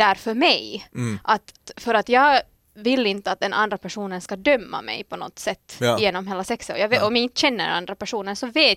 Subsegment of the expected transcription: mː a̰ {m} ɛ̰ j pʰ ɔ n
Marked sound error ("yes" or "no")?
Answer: no